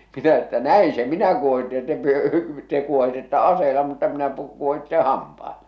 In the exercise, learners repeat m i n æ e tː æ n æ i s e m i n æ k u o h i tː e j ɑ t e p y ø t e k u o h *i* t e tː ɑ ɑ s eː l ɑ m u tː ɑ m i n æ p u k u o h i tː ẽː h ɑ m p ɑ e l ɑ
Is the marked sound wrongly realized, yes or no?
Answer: no